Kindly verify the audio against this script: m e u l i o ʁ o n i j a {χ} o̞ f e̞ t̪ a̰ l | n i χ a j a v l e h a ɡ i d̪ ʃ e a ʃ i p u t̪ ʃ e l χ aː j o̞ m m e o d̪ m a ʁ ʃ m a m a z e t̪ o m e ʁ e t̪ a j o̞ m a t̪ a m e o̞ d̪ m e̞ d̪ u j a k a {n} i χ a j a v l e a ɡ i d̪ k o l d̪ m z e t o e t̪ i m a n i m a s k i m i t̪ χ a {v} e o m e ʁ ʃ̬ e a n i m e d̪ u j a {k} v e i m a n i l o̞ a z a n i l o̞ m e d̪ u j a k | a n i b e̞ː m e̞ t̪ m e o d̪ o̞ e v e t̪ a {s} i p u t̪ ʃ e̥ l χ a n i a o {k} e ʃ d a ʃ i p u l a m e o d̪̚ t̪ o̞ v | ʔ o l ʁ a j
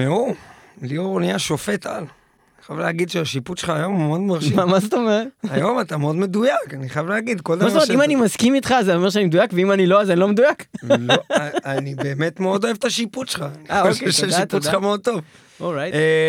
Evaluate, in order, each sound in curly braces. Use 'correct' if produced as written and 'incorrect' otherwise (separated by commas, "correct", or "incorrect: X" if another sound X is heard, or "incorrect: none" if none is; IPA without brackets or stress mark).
incorrect: ʃ, correct, incorrect: z, correct, incorrect: ʃ, correct